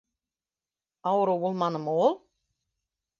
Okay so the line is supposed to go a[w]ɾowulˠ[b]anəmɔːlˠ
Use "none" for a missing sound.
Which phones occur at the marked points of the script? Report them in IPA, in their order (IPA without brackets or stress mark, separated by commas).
w, m